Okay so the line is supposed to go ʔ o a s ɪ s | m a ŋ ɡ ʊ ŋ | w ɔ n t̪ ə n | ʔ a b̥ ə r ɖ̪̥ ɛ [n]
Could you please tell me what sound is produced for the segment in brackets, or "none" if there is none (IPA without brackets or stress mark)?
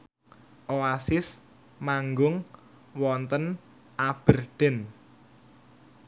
n